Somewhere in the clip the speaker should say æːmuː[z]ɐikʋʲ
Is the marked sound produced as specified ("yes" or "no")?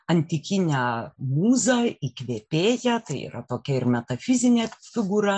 yes